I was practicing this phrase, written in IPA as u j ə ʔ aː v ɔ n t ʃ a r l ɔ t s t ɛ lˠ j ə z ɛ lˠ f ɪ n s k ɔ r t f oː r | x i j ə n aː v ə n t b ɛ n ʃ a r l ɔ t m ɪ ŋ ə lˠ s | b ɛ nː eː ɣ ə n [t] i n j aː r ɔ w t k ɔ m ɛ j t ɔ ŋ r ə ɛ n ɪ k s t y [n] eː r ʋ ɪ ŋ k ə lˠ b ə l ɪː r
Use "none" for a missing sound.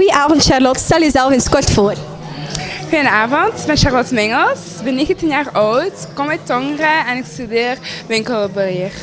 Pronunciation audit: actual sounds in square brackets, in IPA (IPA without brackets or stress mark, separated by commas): t, d